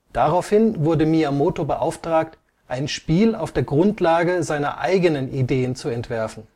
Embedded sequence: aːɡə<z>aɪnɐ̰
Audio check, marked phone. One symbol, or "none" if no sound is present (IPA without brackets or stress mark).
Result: z